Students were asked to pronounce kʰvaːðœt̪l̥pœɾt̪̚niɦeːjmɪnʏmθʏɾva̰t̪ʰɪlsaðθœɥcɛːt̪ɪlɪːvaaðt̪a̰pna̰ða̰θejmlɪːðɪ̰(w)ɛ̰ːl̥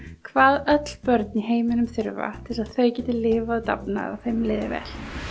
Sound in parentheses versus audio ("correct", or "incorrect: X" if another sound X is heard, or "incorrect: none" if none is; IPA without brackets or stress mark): incorrect: v